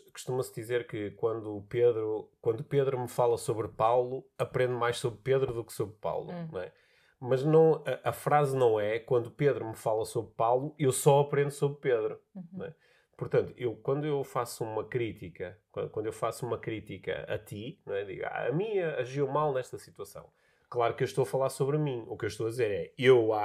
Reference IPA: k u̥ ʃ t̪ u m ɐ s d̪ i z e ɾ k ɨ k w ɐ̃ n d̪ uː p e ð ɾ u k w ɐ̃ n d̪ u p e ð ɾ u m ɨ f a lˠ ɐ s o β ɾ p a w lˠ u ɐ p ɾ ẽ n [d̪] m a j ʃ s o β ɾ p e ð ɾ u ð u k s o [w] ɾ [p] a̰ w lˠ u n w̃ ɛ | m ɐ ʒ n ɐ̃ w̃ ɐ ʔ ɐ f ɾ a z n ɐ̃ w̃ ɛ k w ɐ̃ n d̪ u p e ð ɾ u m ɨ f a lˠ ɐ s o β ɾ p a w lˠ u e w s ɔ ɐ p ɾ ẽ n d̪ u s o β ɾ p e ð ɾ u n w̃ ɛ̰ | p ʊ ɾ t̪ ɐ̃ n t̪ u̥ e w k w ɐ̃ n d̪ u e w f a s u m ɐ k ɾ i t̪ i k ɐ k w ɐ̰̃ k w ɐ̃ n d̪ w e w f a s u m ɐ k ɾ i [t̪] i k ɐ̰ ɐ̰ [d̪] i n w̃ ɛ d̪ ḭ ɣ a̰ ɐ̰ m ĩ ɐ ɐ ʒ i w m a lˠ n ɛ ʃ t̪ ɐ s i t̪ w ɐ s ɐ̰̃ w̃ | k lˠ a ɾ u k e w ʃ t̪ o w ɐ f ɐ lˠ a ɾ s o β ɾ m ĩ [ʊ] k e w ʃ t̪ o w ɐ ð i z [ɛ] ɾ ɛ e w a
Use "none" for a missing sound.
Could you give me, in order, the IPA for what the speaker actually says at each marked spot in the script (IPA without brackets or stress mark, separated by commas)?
d̪, β, p, t̪, t̪, u, e